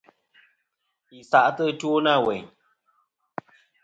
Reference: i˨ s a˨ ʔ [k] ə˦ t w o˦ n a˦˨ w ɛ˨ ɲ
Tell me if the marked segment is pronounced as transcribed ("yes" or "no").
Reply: no